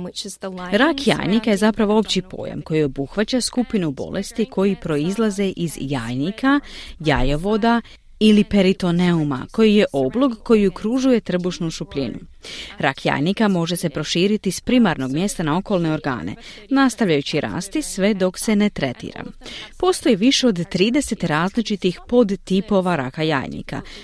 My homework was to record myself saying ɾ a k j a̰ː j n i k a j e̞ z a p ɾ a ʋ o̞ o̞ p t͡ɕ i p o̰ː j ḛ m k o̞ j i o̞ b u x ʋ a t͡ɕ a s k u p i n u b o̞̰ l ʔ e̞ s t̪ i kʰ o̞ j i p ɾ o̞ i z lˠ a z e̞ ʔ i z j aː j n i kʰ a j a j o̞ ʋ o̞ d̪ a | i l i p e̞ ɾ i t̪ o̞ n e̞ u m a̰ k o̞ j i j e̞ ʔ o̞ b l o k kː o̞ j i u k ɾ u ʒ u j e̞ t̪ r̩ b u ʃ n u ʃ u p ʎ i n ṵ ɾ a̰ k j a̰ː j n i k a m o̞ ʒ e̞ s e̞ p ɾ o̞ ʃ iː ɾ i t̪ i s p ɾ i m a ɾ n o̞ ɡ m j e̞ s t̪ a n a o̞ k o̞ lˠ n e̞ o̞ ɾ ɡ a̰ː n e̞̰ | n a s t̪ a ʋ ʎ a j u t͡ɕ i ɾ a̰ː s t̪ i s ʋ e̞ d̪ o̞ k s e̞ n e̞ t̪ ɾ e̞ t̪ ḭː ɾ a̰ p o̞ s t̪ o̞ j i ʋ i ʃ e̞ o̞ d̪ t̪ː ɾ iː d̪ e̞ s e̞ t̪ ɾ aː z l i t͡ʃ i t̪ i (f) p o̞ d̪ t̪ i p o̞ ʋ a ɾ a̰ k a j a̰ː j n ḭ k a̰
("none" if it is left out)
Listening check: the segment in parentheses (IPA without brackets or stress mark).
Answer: x